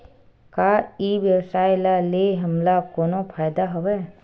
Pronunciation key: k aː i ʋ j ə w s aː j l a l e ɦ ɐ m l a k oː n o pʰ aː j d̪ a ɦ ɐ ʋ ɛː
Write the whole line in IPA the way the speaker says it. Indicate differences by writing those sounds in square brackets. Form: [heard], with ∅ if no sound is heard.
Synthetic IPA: k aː i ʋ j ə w s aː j l a l e ɦ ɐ m l a k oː n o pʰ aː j d̪ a ɦ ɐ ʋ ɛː